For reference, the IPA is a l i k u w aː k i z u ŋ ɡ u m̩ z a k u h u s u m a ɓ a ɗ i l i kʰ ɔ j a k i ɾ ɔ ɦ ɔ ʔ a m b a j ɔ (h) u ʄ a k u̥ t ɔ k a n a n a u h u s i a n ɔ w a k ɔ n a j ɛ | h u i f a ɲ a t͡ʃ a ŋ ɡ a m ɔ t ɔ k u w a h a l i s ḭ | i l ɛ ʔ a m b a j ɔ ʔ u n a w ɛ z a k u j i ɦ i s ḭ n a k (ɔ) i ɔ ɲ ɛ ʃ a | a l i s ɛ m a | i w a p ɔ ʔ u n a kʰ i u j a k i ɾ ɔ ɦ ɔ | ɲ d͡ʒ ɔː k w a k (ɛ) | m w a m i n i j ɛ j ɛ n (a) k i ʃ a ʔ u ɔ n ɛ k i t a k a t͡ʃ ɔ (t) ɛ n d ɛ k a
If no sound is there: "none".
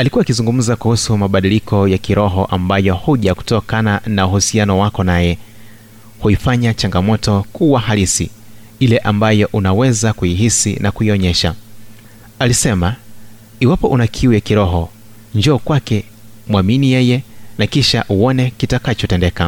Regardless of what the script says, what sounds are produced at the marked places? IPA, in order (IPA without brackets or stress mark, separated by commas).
h, u, ɛ, a, t